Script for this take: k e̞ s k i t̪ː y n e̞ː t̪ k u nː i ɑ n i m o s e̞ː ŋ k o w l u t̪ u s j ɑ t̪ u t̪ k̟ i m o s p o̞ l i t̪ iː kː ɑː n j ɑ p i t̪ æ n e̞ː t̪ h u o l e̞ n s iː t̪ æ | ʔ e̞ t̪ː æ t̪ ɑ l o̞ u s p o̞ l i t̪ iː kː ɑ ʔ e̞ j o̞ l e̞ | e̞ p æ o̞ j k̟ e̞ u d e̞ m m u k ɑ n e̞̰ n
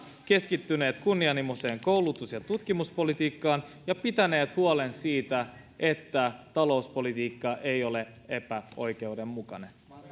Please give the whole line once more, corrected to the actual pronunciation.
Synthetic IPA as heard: k e̞ s k i t̪ː y n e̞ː t̪ k u nː i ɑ n i m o s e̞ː ŋ k o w l u t̪ u s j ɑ t̪ u t̪ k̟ i m u s p o̞ l i t̪ iː kː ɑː n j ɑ p i t̪ æ n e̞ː t̪ h u o l e̞ n s iː t̪ æ | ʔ e̞ t̪ː æ t̪ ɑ l o̞ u s p o̞ l i t̪ iː kː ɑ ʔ e̞ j o̞ l e̞ | e̞ p æ o̞ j k̟ e̞ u d e̞ m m u k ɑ n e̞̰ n